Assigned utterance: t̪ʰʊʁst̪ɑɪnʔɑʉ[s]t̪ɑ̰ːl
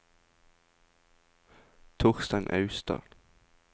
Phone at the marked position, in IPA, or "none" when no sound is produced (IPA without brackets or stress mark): s